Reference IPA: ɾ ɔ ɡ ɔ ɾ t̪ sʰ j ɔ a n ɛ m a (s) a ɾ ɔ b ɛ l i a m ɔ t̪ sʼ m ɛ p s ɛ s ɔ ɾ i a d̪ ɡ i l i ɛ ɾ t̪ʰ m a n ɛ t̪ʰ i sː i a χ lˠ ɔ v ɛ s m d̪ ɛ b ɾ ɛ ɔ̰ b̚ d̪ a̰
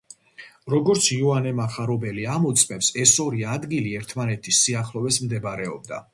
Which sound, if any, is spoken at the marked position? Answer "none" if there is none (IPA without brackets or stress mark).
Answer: χ